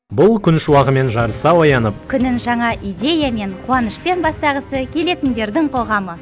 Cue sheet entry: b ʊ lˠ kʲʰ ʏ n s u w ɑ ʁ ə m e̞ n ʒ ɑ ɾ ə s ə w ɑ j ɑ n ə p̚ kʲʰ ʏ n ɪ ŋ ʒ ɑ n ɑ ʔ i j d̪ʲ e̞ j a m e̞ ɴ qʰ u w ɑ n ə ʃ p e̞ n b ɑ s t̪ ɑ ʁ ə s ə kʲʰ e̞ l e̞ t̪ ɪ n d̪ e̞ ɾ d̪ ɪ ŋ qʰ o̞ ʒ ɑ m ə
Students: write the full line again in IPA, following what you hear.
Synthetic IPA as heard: b ʊ lˠ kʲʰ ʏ n ʃ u w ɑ ʁ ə m e̞ n ʒ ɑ ɾ ə s ɑ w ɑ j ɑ n ə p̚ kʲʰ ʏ n ɪ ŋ ʒ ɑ ɴ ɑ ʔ i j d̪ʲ e̞ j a m e̞ ɴ qʰ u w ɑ n ə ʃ p e̞ n b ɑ s t̪ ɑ ʁ ə s ə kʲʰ e̞ l e̞ t̪ ɪ n d̪ e̞ ɾ d̪ ɪ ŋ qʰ o̞ ʁ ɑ m ə